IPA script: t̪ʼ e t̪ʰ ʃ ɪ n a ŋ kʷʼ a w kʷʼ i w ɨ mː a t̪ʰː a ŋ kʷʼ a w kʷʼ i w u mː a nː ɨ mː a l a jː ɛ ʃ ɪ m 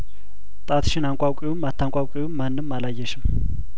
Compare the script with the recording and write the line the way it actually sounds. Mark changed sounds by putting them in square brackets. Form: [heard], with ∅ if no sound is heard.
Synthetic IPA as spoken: t̪ʼ [a] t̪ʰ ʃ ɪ n a ŋ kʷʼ a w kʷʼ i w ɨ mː a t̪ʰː a ŋ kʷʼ a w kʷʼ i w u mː a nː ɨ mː a l a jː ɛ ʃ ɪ m